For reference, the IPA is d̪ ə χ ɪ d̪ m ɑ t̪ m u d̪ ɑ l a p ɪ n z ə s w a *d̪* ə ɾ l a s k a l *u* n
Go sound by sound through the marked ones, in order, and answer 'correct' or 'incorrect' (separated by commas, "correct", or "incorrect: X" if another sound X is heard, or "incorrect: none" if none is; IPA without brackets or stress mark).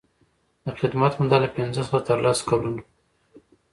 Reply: incorrect: t̪, correct